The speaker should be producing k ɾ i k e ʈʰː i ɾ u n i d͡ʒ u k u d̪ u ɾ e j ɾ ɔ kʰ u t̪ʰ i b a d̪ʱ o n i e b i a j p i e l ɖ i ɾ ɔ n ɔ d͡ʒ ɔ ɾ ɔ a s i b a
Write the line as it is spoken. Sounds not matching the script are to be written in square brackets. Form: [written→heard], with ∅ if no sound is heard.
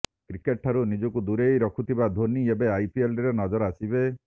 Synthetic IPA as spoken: k ɾ i k e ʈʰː [i→a] ɾ u n i d͡ʒ [u→ɔ] k u d̪ u ɾ e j ɾ ɔ kʰ u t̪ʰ i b a d̪ʱ o n i e b [i→e] a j p i e l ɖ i ɾ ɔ n ɔ d͡ʒ ɔ ɾ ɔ a s i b [a→e]